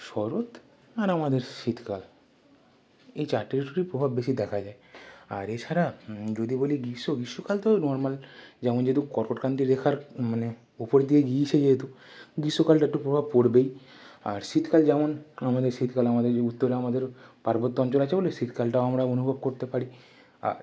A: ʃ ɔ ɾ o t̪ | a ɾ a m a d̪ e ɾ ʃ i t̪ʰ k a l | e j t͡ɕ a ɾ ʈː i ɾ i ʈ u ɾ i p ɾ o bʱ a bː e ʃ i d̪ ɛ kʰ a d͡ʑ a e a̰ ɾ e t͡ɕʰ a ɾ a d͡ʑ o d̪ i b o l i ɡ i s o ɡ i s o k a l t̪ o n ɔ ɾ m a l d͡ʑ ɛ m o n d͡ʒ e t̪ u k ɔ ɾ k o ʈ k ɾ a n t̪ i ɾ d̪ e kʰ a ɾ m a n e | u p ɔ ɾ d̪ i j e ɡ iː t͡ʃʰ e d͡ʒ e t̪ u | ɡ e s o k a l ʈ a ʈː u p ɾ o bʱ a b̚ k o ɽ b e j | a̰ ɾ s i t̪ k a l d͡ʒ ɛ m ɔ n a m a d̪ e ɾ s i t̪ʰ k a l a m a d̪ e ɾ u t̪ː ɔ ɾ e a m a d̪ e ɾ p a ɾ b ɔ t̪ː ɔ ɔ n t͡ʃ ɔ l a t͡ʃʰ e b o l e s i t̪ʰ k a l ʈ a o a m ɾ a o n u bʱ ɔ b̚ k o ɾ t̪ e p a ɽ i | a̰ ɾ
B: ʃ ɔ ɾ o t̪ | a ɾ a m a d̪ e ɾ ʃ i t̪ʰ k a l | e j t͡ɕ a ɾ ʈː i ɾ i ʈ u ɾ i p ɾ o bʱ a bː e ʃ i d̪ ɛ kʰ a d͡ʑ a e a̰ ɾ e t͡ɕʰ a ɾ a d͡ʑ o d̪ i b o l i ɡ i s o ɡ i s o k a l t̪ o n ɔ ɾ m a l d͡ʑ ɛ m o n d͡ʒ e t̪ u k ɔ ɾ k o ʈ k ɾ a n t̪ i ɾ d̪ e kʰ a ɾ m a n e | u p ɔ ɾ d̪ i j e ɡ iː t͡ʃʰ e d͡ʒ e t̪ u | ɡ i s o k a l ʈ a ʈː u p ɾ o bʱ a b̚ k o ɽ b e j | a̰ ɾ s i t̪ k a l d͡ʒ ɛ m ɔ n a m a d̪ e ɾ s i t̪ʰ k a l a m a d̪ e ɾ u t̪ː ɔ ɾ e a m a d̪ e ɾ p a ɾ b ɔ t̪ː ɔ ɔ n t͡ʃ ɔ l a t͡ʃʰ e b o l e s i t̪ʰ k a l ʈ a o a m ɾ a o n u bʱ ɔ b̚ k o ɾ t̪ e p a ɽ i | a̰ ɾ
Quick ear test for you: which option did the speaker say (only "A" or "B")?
B